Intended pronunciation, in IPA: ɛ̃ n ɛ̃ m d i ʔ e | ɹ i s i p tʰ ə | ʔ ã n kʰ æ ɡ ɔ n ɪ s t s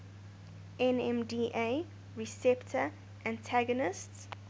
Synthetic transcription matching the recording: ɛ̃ n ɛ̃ m d i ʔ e | ɹ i s ɛ p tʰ ə | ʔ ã n tʰ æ ɡ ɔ n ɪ s t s